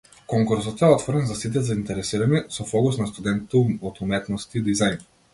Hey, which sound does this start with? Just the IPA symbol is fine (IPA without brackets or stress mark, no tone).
k